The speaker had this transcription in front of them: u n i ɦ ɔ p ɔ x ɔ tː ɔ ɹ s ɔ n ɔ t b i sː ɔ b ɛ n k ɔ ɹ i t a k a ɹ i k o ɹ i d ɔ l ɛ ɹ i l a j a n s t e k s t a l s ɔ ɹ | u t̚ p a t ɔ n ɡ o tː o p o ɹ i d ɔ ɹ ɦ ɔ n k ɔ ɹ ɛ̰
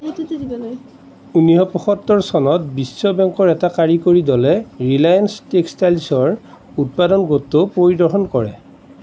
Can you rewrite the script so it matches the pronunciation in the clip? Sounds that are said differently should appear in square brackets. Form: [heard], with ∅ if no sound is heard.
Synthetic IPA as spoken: u n i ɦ ɔ p ɔ x ɔ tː ɔ ɹ s ɔ n ɔ t b i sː ɔ b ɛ [ŋ] k ɔ ɹ [ɛ] t a k a ɹ i k o ɹ i d ɔ l ɛ ɹ i l a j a n s t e k s t a l s ɔ ɹ | u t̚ p a [d] ɔ n ɡ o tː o p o ɹ i d ɔ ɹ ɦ ɔ n k ɔ ɹ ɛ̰